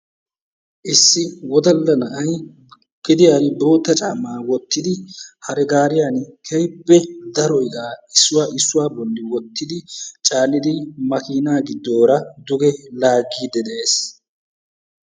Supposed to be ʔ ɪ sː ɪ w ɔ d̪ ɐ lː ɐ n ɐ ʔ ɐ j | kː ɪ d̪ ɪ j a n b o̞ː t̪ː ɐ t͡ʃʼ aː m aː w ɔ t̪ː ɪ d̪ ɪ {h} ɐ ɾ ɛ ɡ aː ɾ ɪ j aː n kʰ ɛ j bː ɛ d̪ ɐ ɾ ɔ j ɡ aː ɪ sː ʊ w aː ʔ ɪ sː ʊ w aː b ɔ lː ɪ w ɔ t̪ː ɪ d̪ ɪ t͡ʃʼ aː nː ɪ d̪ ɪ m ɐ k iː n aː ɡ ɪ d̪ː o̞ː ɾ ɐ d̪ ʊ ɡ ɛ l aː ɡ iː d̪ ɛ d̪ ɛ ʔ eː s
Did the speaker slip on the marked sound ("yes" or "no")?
no